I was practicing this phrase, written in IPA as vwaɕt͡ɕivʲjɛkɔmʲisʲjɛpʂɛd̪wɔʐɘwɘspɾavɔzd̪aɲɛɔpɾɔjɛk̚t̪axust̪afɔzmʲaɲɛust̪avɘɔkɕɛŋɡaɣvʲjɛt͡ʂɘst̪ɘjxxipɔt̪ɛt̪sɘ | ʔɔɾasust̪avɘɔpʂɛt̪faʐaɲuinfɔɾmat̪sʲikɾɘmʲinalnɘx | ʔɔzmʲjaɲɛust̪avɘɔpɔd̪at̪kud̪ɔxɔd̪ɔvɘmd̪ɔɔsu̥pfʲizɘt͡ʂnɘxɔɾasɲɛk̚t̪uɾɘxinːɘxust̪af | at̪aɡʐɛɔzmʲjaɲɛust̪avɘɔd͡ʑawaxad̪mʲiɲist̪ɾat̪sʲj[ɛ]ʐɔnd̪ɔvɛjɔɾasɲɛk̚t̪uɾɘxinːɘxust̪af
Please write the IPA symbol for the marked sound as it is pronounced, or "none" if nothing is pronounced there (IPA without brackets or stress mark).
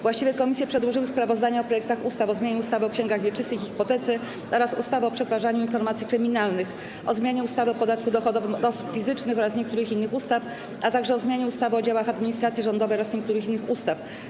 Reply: i